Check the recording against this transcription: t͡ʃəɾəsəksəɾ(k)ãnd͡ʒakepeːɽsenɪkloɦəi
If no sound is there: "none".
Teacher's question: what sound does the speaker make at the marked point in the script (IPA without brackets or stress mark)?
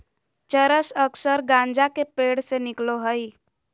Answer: ɡ